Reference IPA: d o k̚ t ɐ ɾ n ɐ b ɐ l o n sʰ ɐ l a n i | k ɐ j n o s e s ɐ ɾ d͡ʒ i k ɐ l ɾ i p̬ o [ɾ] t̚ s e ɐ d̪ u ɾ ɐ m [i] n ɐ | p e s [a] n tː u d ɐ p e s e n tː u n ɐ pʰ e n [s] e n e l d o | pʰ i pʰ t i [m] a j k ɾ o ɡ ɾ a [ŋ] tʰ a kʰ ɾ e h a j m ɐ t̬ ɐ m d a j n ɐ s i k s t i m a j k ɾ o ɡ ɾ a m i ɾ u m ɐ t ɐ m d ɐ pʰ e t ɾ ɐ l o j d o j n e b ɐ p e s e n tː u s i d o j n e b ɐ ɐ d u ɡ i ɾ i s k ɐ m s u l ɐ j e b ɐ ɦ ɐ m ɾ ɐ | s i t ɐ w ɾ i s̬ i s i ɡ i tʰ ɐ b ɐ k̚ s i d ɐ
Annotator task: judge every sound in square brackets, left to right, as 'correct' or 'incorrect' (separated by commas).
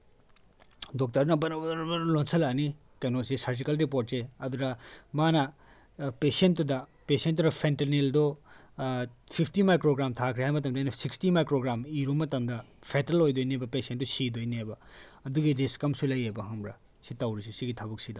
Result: correct, incorrect, incorrect, incorrect, correct, incorrect